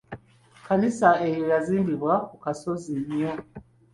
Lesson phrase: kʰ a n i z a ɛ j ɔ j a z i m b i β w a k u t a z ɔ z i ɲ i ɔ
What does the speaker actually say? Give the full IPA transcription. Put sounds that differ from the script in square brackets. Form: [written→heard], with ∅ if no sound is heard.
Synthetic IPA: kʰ a n i [z→s] a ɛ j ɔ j a z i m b i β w a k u [t→k] a [z→s] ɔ z i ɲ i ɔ